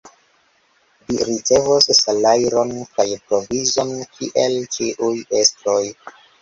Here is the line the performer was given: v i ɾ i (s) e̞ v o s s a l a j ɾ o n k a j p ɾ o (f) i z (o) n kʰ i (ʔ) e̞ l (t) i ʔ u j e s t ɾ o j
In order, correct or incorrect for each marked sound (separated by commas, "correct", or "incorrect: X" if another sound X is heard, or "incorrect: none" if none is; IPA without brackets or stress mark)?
incorrect: t͡s, incorrect: v, correct, correct, incorrect: t͡ʃ